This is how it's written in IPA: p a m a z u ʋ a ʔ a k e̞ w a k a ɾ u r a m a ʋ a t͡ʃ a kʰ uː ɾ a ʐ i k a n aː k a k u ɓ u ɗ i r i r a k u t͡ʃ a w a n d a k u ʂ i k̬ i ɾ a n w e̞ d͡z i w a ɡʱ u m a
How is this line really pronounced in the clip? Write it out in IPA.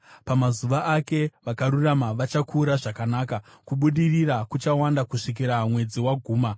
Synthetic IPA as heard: p a m a z u ʋ a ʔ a k e̞ ʋ a k a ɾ u r a m a ʋ a t͡ʃ a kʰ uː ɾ a ʐ a k a n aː k a k u ɓ u ɗ i r i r a k u t͡ʃ a w a n d a k u ʂ i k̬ i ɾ a m w e̞ d͡z i w a ɡʱ uː m a